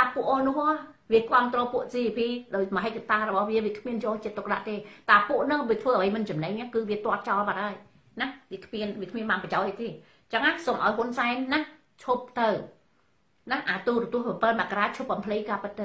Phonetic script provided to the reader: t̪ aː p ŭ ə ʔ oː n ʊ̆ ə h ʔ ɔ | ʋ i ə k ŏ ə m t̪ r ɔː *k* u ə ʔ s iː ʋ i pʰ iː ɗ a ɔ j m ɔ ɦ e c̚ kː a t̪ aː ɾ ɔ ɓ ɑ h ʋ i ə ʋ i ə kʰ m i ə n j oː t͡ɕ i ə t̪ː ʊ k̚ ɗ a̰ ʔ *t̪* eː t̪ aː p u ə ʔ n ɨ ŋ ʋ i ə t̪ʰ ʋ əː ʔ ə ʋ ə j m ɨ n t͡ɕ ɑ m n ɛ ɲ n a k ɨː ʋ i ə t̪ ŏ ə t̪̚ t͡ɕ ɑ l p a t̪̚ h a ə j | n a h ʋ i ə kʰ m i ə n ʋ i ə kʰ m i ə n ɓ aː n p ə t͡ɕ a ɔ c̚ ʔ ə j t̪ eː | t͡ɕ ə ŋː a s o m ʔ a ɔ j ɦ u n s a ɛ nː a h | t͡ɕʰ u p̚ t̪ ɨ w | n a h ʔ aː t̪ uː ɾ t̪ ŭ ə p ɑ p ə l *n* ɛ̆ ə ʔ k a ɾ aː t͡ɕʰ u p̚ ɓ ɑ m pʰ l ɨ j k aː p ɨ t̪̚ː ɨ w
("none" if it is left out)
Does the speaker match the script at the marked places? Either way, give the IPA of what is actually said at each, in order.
p, t̪, m

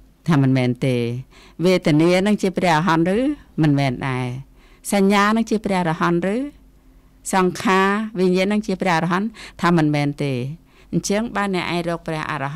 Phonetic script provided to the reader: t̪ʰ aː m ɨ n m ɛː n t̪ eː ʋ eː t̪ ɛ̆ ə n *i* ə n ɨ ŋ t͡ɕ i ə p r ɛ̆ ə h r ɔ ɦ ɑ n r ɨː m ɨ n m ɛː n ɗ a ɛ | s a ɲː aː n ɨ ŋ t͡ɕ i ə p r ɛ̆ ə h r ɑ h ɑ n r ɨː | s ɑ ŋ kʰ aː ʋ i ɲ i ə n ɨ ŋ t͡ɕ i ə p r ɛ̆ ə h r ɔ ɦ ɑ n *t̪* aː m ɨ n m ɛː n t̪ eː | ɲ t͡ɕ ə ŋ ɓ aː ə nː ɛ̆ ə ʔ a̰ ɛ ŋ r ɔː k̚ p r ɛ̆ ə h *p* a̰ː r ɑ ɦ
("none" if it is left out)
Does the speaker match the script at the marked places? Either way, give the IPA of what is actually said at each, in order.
i, t̪ʰ, ʔ

